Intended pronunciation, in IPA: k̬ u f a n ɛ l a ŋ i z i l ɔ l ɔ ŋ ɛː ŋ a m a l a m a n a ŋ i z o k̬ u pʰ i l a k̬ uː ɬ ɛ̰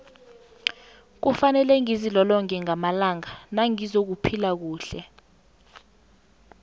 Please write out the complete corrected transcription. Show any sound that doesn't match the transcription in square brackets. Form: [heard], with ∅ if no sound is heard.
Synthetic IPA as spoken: k̬ u f a n ɛ l [ɛ] ŋ i z i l ɔ l ɔ ŋ [ɛ] ŋ a m a l a [ŋ] a n a ŋ i z o k̬ u pʰ i l a k̬ uː ɬ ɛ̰